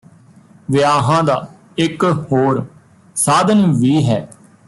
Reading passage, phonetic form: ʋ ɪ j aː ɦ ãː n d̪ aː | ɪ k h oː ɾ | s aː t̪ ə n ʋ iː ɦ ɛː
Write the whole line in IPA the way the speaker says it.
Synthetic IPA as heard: ʋ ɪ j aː ɦ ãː d̪ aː | ɪ k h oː ɾ | s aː d̪ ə n ʋ iː ɦ ɛː